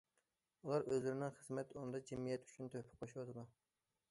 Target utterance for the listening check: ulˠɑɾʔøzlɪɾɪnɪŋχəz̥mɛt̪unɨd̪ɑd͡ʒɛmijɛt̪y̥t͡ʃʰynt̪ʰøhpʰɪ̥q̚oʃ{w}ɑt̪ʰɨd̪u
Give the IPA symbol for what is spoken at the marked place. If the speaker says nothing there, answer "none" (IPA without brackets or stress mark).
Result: w